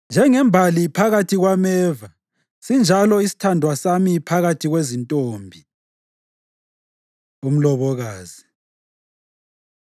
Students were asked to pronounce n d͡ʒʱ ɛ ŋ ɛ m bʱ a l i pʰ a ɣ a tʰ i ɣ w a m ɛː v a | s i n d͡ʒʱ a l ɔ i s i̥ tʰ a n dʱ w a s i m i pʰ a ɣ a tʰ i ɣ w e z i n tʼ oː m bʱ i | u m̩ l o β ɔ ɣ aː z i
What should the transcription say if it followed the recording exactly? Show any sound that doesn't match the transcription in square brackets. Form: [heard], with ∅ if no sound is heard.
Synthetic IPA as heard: n d͡ʒʱ ɛ ŋ ɛ m bʱ a l i pʰ a ɣ a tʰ i ɣ w a m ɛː v a | s i n d͡ʒʱ a l ɔ i s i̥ tʰ a n dʱ w a s [a] m i pʰ a ɣ a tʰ i ɣ w e z i n tʼ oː m bʱ i | u m̩ l [ɔ] β ɔ ɣ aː z i